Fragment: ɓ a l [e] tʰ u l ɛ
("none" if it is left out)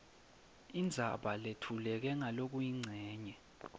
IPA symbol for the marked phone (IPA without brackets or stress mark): e